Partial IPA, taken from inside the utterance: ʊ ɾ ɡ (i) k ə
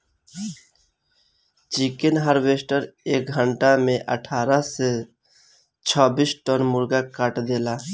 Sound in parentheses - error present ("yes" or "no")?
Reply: yes